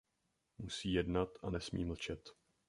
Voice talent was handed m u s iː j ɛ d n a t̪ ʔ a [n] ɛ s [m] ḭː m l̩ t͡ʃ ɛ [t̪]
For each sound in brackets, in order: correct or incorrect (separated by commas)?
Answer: correct, correct, correct